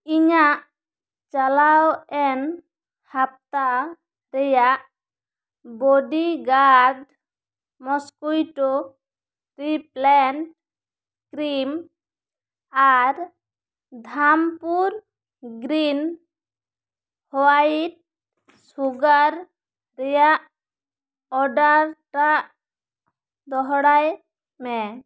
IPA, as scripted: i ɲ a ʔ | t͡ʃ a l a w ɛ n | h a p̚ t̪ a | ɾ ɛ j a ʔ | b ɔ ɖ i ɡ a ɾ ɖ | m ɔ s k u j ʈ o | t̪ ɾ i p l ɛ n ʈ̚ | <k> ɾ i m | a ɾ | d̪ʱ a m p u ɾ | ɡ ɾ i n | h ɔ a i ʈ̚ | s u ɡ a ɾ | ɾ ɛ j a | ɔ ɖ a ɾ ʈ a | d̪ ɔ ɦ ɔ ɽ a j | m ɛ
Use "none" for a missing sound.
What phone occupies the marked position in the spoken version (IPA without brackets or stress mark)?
k